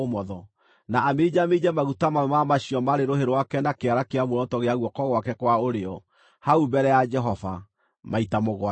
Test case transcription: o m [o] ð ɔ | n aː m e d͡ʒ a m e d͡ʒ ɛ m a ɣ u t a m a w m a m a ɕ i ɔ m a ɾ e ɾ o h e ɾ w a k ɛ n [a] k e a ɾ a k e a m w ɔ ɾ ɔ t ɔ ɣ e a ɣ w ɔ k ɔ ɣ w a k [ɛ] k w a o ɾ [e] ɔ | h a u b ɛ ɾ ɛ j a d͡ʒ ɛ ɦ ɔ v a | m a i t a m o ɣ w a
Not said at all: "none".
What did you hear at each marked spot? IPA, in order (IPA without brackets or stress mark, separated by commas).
ɔ, a, ɛ, e